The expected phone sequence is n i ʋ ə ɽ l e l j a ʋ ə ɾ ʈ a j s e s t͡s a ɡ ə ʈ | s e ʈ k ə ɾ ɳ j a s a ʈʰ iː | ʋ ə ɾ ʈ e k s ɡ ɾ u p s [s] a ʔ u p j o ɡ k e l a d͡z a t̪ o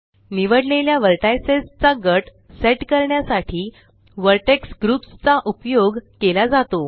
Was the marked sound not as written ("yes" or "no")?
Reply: yes